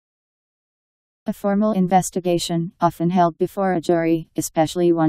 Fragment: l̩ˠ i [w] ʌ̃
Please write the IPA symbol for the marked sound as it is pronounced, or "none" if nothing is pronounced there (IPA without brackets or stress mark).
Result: w